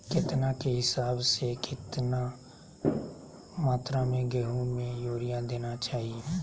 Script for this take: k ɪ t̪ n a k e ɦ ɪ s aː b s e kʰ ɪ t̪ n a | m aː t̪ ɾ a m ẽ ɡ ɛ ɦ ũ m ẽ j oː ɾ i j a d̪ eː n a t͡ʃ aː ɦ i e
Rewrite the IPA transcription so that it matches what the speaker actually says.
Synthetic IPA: k ɪ t̪ n a k e ɦ ɪ s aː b s e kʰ ɪ t̪ n a | m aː t̪ ɾ a m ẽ ɡ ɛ ɦ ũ m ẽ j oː ɾ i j a d̪ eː n a t͡ʃ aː ɦ i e